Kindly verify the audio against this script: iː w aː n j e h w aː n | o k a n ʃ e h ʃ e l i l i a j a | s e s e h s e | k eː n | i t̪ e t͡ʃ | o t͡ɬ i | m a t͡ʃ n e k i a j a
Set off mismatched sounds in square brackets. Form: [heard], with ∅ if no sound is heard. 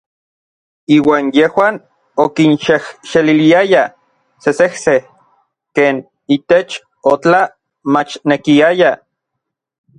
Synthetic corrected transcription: iː w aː n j e h w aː n | o k [i] n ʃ e h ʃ e l i l i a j a | s e s e h s e | k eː n | i t̪ e t͡ʃ | o t͡ɬ [a] | m a t͡ʃ n e k i a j a